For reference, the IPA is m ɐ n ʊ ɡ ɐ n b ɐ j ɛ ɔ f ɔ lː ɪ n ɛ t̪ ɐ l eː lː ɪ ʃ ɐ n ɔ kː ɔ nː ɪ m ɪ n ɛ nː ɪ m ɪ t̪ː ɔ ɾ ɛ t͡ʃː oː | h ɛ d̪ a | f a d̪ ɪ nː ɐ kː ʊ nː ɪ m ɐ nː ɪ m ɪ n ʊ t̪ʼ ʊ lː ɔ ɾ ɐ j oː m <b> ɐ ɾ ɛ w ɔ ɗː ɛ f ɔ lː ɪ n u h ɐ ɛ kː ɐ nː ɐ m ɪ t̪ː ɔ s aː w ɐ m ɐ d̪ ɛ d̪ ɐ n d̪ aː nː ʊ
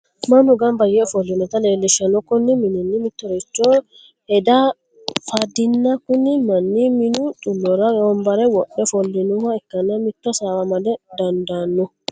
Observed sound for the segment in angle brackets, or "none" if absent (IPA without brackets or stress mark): b